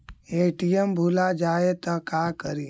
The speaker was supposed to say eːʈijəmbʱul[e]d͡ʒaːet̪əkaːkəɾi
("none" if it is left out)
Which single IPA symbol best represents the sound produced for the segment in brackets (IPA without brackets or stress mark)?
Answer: a